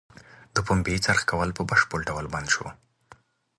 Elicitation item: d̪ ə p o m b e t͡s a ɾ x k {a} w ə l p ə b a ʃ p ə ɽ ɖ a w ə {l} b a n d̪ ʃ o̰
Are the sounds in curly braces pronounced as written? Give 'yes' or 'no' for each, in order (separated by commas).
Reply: yes, yes